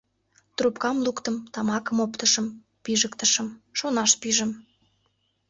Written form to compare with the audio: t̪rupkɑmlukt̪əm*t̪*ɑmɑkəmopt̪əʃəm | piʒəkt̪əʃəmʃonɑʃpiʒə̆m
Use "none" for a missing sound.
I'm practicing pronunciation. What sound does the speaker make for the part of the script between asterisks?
t̪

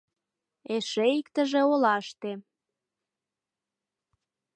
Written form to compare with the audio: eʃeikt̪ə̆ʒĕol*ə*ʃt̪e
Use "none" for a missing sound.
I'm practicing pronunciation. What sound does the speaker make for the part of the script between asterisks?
ɑ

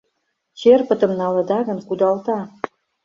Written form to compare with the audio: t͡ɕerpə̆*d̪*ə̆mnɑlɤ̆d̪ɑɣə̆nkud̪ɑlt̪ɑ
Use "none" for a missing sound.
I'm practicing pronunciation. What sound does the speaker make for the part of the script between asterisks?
t̪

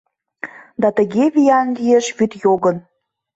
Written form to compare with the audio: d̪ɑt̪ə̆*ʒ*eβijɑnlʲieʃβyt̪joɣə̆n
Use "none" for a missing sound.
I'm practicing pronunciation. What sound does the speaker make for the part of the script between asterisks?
ɣ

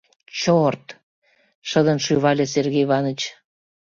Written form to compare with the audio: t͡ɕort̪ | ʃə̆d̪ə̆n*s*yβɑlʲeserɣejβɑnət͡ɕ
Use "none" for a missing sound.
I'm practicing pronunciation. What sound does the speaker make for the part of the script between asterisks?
ʃ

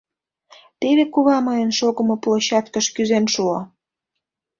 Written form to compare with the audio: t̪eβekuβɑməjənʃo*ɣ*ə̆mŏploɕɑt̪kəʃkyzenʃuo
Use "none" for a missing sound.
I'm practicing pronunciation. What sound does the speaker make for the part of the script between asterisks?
ɣ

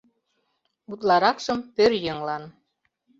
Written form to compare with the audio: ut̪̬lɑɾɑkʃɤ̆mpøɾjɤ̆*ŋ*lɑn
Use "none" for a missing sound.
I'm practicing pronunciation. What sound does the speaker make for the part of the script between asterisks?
ŋ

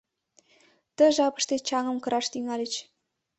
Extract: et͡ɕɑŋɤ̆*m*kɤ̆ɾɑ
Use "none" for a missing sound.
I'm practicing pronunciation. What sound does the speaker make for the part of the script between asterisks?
m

